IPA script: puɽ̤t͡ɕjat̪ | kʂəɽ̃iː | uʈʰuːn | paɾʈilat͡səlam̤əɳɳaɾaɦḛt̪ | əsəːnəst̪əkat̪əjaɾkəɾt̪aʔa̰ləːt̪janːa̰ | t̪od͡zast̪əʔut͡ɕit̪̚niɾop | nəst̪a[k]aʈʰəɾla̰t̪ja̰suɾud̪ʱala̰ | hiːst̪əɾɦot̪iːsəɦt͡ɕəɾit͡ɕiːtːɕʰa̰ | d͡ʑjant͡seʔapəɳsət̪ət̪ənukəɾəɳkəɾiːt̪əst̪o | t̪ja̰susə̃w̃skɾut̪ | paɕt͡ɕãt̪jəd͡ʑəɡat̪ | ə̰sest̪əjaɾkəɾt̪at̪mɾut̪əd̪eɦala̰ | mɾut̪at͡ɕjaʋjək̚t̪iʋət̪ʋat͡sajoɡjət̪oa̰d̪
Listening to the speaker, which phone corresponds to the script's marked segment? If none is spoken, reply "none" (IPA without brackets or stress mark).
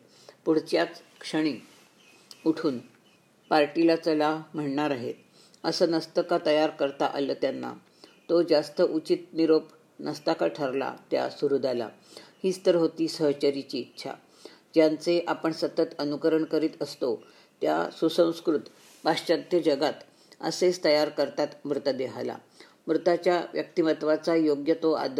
k